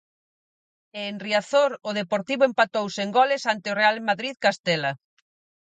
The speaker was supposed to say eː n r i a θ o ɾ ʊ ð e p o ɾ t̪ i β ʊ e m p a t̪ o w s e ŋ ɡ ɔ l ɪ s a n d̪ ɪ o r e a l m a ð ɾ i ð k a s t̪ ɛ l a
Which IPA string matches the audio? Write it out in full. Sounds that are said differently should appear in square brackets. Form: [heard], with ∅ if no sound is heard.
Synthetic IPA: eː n r i a θ o ɾ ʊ ð e p o ɾ t̪ i β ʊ e m p a t̪ o w s e ŋ ɡ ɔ l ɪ s a n [t̪] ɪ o r e a l m a ð ɾ i ð k a s t̪ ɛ l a

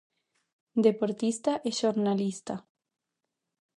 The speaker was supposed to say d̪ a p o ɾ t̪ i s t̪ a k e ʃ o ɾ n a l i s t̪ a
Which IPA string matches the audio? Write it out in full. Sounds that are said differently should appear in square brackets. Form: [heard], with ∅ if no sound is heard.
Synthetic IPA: d̪ [e] p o ɾ t̪ i s t̪ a [ʔ] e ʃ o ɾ n a l i s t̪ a

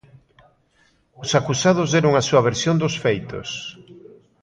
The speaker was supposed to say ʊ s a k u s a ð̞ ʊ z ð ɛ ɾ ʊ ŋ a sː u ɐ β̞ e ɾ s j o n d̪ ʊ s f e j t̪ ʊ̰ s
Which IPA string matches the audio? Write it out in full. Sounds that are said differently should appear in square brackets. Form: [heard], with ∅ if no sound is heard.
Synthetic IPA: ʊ s a k u s a ð̞ ʊ z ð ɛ ɾ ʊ ŋ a [s] u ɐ β̞ e ɾ s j o n d̪ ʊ s f e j t̪ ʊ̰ s

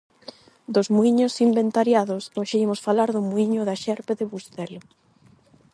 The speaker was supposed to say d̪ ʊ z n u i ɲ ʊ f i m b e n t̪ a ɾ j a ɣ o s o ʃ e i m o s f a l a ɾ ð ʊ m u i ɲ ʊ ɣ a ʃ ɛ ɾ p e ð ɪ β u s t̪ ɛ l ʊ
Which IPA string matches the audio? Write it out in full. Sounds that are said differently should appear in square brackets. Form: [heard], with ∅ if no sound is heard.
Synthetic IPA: d̪ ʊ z [m] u i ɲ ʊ [s] i m b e n t̪ a ɾ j a [ð] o s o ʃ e i m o s f a l a ɾ ð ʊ m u i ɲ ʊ [ð] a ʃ ɛ ɾ p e ð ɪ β u s t̪ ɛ l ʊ

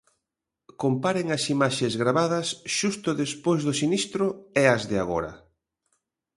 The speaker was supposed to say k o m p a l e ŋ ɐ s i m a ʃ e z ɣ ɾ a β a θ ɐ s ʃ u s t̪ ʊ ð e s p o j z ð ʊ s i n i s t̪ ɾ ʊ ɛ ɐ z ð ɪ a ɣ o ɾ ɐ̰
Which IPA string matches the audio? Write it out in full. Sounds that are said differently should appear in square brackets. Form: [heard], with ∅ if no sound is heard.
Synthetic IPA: k o m p a [ɾ] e ŋ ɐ s i m a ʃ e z ɣ ɾ a β a [ð] ɐ s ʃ u s t̪ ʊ ð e s p o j z ð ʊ s i n i s t̪ ɾ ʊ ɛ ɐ z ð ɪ a ɣ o ɾ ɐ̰

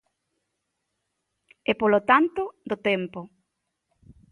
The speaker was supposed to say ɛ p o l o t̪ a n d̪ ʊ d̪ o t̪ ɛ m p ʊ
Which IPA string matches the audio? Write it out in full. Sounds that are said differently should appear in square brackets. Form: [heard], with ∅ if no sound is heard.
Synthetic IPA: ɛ p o l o t̪ a n [t̪] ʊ d̪ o t̪ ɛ m p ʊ

